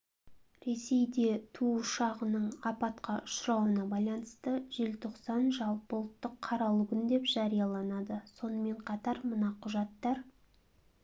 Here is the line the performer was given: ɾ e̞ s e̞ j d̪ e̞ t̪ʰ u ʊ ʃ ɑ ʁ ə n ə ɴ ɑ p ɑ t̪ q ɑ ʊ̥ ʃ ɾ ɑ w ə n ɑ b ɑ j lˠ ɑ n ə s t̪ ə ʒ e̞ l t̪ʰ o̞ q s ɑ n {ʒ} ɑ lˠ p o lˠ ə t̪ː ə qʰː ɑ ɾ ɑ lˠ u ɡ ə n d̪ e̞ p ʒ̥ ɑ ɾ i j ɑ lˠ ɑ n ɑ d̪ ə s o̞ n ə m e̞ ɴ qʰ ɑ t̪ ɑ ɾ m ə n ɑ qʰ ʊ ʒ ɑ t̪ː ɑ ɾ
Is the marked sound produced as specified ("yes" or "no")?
yes